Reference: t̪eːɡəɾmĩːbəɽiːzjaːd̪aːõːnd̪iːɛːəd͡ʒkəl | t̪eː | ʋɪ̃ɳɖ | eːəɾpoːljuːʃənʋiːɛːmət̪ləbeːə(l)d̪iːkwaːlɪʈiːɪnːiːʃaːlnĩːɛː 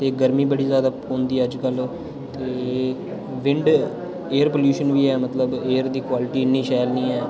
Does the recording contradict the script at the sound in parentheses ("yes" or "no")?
yes